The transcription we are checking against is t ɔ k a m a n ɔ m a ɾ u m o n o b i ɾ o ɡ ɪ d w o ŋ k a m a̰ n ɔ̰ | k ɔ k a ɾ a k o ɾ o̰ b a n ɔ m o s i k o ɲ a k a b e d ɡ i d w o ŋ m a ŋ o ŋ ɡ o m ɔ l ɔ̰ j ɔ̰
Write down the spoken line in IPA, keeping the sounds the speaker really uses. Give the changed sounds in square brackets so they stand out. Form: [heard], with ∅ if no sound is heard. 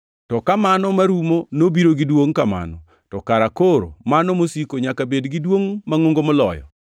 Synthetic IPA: t ɔ k a m a n ɔ m a ɾ u m o n o b i ɾ o ɡ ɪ d w o ŋ k a m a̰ n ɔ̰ | [t] ɔ k a ɾ a k o ɾ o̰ [m] a n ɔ m o s i k o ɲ a k a b e d ɡ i d w o ŋ m a ŋ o ŋ ɡ o m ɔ l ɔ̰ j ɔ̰

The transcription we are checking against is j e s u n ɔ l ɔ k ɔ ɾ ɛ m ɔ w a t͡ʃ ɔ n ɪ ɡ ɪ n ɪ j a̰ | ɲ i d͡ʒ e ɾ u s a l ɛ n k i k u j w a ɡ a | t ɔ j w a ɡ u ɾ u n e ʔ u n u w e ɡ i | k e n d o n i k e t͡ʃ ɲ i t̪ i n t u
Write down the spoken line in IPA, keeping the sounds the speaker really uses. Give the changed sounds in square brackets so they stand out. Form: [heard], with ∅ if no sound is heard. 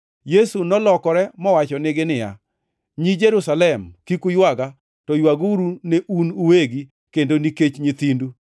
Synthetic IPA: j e s u n ɔ l ɔ k ɔ ɾ ɛ m ɔ w a t͡ʃ ɔ n ɪ ɡ ɪ n ɪ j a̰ | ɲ i d͡ʒ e ɾ u s a l ɛ [m] k i k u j w a ɡ a | t ɔ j w a ɡ u ɾ u n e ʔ u n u w e ɡ i | k e n d o n i k e t͡ʃ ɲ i t̪ i n [d] u

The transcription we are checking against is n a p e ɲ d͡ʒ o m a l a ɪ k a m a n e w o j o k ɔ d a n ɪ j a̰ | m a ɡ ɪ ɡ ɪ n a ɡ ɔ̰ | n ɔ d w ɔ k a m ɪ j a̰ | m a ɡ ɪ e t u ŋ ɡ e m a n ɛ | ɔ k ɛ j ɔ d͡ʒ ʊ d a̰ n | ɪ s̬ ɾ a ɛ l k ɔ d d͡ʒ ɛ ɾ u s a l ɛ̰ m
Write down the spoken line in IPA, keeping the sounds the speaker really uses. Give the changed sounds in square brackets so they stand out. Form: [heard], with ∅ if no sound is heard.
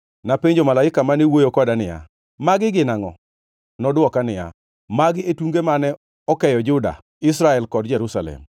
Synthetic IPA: n a p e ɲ d͡ʒ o m a l a ɪ k a m a n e w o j o k ɔ d a n ɪ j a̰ | m a ɡ ɪ ɡ ɪ n a [ŋ] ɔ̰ | n ɔ d w ɔ k a [n] ɪ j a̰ | m a ɡ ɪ e t u ŋ ɡ e m a n ɛ | ɔ k ɛ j ɔ d͡ʒ ʊ d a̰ [∅] | ɪ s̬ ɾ a ɛ l k ɔ d d͡ʒ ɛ ɾ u s a l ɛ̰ m

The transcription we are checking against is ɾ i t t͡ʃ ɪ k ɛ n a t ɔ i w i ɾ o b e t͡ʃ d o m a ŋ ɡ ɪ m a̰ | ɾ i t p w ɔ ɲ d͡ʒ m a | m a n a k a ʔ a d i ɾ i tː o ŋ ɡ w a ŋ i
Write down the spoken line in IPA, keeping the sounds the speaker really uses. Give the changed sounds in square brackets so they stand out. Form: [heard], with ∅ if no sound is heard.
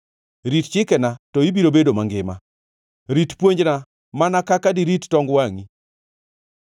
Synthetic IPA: ɾ i t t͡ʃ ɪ k ɛ n a t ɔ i [b] i ɾ o b e [∅] d o m a ŋ ɡ ɪ m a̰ | ɾ i t p w [o] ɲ d͡ʒ [n] a | m a n a k a [k] a d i ɾ i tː [ɔ] ŋ ɡ w a ŋ i

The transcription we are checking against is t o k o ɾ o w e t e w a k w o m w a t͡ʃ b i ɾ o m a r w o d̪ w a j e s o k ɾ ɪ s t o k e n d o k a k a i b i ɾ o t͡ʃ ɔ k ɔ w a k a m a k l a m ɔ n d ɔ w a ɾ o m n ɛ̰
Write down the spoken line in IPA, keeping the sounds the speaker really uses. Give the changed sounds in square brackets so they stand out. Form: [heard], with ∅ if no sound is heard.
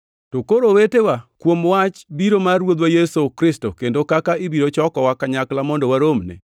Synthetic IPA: t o k o ɾ o w e t e w a k w o m w a t͡ʃ b i ɾ o m a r w o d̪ w a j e s o k ɾ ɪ s t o k e n d o k a k a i b i ɾ o t͡ʃ ɔ k ɔ w a k a [ɲ] a k l a m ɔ n d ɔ w a ɾ o m n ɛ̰

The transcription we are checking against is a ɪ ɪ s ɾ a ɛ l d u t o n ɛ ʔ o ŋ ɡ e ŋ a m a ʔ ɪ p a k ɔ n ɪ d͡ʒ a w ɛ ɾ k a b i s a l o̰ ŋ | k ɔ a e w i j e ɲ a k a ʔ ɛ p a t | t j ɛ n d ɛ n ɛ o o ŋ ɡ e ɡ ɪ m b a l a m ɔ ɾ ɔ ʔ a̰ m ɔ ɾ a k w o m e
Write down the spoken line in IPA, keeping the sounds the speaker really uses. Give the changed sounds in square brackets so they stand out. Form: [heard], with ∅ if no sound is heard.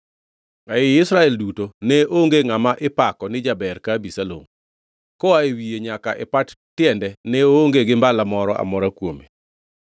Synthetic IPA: a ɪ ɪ s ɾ a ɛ l d u t o n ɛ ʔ o ŋ ɡ e ŋ a m a ʔ ɪ p a k ɔ n ɪ d͡ʒ a [b] ɛ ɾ k a b i s a l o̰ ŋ | k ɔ a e w i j e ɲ a k a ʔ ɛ p a t | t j ɛ n d ɛ n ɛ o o ŋ ɡ e ɡ ɪ m b a l a m ɔ ɾ ɔ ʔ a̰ m ɔ ɾ a k w o m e

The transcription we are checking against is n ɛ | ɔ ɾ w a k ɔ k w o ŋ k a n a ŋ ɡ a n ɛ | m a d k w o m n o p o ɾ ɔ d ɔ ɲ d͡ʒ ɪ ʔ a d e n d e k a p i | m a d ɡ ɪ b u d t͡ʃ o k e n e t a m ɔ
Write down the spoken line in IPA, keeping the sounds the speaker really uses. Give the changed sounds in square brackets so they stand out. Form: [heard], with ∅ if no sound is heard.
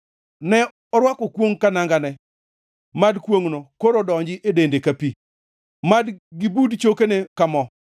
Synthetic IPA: n ɛ | ɔ ɾ w a k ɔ k w o ŋ k a n a ŋ ɡ a n ɛ | m a d k w o [ŋ] n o [k] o ɾ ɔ d ɔ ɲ d͡ʒ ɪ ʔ [e] d e n d e k a p i | m a d ɡ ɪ b u d t͡ʃ o k e n e [k] a m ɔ

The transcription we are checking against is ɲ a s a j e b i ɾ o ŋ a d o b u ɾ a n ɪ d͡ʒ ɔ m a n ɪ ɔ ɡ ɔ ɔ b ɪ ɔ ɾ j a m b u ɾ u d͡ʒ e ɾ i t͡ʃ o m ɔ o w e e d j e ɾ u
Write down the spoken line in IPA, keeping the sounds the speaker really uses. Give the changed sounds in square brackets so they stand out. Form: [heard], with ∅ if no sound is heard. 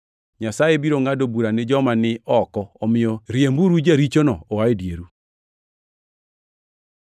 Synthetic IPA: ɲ a s a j e b i ɾ o ŋ a d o b u ɾ a n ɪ d͡ʒ ɔ m a n ɪ ɔ [k] ɔ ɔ [m] ɪ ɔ ɾ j [e] m b u ɾ u d͡ʒ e ɾ i t͡ʃ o [n] ɔ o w [a] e d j e ɾ u

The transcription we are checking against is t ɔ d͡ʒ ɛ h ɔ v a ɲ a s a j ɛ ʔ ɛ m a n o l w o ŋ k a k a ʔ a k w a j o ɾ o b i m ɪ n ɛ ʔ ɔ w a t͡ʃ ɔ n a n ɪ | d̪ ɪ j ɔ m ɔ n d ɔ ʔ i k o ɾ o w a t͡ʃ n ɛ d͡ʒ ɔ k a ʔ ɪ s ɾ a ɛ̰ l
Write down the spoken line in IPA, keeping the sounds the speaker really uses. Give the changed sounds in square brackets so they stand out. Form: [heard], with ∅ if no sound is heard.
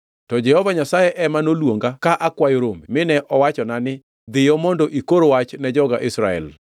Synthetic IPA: t ɔ d͡ʒ ɛ h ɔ v a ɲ a s a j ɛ ʔ ɛ m a n o l w o ŋ [ɡ] a k a ʔ a k w a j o ɾ o [m] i m ɪ n ɛ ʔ ɔ w a t͡ʃ ɔ n a n ɪ | d̪ ɪ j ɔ m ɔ n d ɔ ʔ i k o ɾ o w a t͡ʃ n ɛ d͡ʒ ɔ [ɡ] a ʔ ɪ s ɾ a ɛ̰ l

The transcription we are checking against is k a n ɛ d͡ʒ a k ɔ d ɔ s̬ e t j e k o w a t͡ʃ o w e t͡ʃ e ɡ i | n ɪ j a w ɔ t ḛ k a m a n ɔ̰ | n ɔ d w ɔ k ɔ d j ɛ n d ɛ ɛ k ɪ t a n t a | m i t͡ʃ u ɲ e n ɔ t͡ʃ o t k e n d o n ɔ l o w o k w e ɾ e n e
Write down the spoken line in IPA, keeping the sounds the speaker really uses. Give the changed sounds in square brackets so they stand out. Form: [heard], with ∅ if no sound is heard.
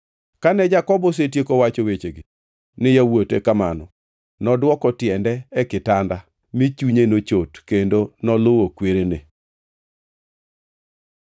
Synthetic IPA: k a n ɛ d͡ʒ a k ɔ [b] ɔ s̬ e t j e k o w a t͡ʃ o w e t͡ʃ e ɡ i | n ɪ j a w [o] t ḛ k a m a n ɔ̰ | n ɔ d w ɔ k ɔ [t] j ɛ n d ɛ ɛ k ɪ t a n [d] a | m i t͡ʃ u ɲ e n [o] t͡ʃ o t k e n d o n ɔ l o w o k w e ɾ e n e

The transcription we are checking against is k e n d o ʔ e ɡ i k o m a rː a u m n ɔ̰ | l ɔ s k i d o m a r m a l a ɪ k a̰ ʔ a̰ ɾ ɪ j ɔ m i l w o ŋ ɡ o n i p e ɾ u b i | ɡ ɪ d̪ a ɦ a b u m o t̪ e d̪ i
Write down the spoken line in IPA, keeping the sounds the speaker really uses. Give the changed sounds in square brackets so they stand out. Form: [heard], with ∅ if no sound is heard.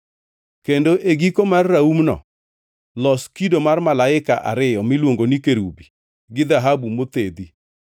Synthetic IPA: k e n d o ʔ e ɡ i k o m a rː a u m n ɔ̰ | l ɔ s k i d o m a r m a l a ɪ k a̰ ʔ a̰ ɾ ɪ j ɔ m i l w o ŋ ɡ o n i [k] e ɾ u b i | ɡ ɪ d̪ a ɦ a b u m o t̪ e d̪ i

